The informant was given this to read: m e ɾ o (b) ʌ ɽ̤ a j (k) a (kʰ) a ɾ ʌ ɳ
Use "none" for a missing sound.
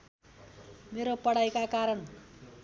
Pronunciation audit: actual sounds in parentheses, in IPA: p, k, k

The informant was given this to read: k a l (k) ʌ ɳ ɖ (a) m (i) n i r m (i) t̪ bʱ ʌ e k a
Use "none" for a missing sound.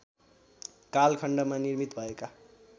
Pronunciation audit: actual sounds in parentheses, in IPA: kʰ, ʌ, a, i

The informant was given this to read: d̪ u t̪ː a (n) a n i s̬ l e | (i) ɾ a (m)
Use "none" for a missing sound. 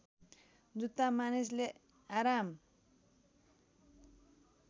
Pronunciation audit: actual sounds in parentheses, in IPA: m, a, m

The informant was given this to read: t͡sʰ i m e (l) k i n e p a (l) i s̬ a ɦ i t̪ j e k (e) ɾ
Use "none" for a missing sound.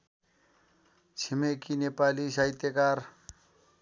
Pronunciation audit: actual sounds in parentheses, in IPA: none, l, a

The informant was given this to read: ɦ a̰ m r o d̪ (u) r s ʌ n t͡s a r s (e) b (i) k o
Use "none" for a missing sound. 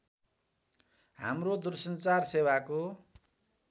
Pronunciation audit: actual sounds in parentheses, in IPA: u, e, a

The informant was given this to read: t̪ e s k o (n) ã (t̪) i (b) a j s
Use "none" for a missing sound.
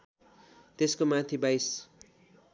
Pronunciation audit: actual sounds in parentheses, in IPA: m, t̪ʰ, b

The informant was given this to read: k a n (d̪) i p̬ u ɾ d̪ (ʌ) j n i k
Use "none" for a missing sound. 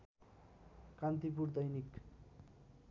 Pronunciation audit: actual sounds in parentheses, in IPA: t̪, ʌ

